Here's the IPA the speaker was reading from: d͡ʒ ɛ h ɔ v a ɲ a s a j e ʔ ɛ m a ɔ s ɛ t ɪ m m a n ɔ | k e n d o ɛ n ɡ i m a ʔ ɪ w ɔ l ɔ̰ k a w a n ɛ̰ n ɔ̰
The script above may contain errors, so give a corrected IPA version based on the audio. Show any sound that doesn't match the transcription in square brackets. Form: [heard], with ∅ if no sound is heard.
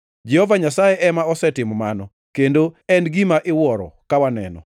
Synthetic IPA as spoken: d͡ʒ ɛ h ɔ v a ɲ a s a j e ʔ ɛ m a ɔ s ɛ t ɪ m m a n ɔ | k e n d o ɛ n ɡ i m a ʔ ɪ w ɔ [ɾ] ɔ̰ k a w a n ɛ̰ n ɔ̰